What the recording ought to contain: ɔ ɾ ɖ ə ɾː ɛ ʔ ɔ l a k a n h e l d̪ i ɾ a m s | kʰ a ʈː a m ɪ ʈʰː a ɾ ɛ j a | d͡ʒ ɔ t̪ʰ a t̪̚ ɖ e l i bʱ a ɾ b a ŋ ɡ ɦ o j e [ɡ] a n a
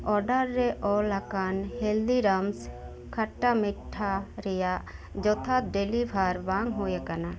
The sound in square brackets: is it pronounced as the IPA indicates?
no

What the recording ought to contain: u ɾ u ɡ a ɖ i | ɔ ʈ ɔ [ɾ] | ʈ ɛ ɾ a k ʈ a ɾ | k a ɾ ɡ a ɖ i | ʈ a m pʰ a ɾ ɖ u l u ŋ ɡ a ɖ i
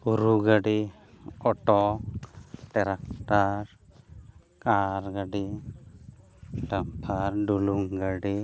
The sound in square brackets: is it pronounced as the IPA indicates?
no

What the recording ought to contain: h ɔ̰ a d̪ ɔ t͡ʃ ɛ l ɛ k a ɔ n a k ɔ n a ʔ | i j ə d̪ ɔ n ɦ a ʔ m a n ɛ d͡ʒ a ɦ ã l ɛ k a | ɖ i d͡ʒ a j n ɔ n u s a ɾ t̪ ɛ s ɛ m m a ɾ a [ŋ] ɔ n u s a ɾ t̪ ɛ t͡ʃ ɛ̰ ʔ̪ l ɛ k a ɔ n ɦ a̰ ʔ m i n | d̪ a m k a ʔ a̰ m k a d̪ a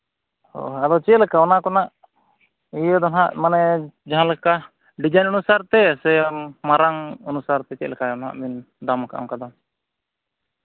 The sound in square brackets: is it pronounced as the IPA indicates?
yes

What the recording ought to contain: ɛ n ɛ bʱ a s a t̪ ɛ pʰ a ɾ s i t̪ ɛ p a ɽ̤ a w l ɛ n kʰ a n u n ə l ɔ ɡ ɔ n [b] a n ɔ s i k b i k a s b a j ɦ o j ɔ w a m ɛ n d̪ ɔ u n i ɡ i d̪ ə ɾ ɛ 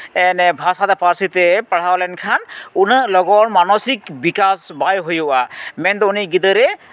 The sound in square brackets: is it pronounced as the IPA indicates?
no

